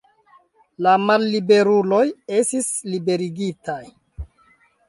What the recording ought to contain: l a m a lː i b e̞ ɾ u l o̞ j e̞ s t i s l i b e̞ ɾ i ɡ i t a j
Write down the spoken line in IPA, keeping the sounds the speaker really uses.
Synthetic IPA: l a m a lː i b e̞ ɾ u l o̞ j e̞ s t i s l i b e̞ ɾ i ɡ i t a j